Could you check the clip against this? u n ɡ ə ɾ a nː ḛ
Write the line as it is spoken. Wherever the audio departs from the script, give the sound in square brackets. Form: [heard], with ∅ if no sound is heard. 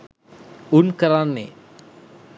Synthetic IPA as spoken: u n [k] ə ɾ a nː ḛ

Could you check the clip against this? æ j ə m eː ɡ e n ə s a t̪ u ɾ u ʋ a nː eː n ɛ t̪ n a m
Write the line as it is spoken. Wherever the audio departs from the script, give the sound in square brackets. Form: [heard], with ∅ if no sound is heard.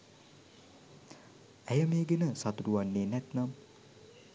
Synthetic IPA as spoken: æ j ə m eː ɡ e n ə s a t̪ u ɾ u ʋ a nː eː n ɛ t̪ n a m

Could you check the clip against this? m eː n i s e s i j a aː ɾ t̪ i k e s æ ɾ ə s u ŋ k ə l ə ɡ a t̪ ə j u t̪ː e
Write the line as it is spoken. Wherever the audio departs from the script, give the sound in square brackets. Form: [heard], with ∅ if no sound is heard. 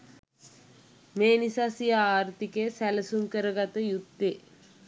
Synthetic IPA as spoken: m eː n i s [a] s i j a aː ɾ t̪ i k e s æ [l] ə s u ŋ k ə [ɾ] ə ɡ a t̪ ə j u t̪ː e

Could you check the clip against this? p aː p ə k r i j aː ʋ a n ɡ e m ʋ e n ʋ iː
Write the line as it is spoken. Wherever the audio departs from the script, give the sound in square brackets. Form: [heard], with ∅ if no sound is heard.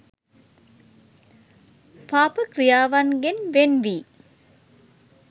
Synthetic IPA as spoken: p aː p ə k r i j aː ʋ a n ɡ e [n] ʋ e n ʋ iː

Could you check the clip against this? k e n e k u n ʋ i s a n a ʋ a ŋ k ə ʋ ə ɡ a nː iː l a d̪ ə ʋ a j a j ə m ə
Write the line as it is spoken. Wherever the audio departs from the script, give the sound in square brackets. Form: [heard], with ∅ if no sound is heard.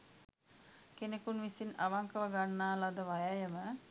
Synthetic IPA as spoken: k e n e k u n ʋ i s [i] n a ʋ a ŋ k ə ʋ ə ɡ a nː [aː] l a d̪ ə ʋ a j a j ə m ə

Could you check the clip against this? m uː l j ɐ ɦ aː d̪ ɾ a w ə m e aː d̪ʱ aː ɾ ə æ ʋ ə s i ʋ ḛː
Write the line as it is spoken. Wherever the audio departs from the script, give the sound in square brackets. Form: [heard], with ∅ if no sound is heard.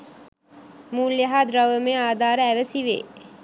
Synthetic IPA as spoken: m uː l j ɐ ɦ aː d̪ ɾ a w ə m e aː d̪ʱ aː ɾ ə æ ʋ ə s i ʋ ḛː

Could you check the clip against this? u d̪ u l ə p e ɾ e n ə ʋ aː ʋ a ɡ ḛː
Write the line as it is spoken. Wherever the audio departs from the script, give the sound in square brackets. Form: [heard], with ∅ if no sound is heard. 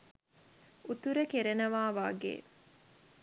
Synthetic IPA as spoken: u [t̪] u [ɾ] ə [k] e ɾ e n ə ʋ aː ʋ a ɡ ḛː

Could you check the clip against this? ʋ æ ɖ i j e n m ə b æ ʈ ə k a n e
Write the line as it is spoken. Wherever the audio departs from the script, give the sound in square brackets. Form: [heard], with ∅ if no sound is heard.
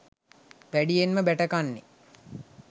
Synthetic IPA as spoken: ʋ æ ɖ i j e n m ə b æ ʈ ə k a [nː] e

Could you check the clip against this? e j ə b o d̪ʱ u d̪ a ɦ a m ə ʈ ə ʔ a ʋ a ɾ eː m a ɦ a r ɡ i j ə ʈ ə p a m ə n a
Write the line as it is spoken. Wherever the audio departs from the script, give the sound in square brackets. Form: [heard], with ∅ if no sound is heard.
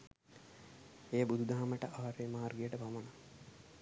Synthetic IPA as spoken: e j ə b [u] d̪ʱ u d̪ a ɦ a m ə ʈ ə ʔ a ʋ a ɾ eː m a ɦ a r ɡ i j ə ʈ ə p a m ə n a

